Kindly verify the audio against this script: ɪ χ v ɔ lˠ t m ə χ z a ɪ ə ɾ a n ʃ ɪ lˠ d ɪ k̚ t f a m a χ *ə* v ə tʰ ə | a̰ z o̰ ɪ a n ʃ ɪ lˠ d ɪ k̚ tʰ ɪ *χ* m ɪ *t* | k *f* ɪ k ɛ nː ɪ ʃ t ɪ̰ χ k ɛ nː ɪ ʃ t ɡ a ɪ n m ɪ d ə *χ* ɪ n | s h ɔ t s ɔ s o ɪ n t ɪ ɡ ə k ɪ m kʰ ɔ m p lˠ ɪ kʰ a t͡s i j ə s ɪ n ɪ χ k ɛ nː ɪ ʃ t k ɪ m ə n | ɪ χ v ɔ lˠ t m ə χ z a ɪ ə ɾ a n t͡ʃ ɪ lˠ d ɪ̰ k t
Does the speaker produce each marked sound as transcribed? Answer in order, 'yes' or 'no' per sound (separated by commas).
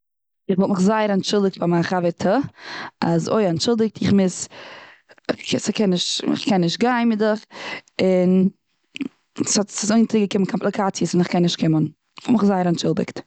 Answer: no, yes, no, no, yes